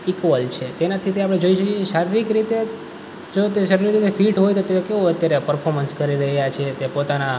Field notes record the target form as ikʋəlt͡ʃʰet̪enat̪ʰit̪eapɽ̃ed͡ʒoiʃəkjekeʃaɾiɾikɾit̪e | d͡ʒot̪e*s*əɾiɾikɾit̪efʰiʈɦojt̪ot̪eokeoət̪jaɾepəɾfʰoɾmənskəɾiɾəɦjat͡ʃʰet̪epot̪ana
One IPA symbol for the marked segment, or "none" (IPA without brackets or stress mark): ʃ